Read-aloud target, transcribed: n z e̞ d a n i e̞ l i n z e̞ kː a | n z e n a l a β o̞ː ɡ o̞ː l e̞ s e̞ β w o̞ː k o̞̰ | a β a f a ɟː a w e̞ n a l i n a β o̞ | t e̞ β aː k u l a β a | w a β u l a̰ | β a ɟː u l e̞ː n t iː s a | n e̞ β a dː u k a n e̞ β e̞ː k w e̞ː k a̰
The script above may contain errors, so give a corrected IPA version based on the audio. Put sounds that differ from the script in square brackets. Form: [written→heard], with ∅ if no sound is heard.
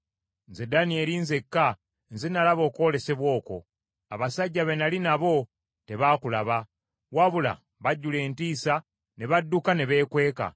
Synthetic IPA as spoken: n z e̞ d a n i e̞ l i n z e̞ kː a | n z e n a l a β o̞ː [ɡ→k] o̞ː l e̞ s e̞ β w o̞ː k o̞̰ | a β a [f→s] a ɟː a [w→β] e̞ n a l i n a β o̞ | t e̞ β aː k u l a β a | w a β u l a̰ | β a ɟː u l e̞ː n t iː s a | n e̞ β a dː u k a n e̞ β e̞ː k w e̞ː k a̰